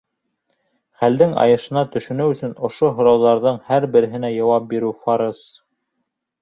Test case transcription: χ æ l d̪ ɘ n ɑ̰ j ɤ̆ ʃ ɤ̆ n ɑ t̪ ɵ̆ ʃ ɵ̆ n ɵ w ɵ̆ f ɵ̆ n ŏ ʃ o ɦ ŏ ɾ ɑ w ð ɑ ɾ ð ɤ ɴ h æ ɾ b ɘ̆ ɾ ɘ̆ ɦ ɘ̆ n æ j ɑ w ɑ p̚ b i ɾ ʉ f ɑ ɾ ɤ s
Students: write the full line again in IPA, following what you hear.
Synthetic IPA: χ æ l d̪ ɘ ŋ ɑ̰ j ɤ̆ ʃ ɤ̆ n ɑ t̪ ɵ̆ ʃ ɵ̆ n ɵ w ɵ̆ s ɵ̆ n ŏ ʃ o ɦ ŏ ɾ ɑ w ð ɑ ɾ ð ɤ ɴ h æ ɾ b ɘ̆ ɾ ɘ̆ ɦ ɘ̆ n æ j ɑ w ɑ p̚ b i ɾ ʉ f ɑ ɾ ɤ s